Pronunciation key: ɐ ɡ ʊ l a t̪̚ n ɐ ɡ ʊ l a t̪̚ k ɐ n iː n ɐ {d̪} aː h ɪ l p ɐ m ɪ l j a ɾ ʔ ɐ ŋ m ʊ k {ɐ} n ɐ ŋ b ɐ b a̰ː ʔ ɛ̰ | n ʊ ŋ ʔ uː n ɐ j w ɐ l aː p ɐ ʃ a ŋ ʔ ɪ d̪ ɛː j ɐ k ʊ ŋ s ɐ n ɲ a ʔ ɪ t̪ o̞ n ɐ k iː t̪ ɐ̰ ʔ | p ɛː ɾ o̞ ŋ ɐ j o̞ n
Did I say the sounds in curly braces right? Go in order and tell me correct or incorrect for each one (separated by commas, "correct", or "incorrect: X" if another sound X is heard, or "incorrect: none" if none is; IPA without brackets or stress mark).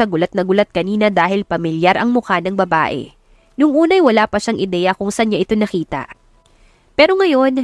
correct, incorrect: a